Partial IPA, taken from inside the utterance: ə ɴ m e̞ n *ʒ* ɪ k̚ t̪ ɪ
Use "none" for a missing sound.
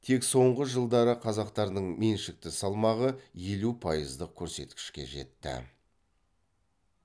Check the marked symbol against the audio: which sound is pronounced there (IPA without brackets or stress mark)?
ʃ